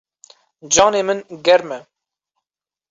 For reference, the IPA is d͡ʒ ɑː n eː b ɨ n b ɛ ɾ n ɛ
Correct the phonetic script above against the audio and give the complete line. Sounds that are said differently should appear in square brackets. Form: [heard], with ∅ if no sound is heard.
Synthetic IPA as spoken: d͡ʒ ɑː n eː [m] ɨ n [ɡ] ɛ ɾ [m] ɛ